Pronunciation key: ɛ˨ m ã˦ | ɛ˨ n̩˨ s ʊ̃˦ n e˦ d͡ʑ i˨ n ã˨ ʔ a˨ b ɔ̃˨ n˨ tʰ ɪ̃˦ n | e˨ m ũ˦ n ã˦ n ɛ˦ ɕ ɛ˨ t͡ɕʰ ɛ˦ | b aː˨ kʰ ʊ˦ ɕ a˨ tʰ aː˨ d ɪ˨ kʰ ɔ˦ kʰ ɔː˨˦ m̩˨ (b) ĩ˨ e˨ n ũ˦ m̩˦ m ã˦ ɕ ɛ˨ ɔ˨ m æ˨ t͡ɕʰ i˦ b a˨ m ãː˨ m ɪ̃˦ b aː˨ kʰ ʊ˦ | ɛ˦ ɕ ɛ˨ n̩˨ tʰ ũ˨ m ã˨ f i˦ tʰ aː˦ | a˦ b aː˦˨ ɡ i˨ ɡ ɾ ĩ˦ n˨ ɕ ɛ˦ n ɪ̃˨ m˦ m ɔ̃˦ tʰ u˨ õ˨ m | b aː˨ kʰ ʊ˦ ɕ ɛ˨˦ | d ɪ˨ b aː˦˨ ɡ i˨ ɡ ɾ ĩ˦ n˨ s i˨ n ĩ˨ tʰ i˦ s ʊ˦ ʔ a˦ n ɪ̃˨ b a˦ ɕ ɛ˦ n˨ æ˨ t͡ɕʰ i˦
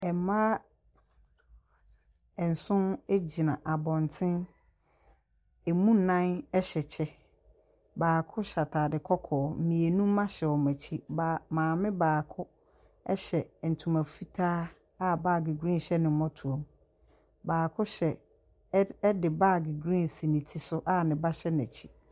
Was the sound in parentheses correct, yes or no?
no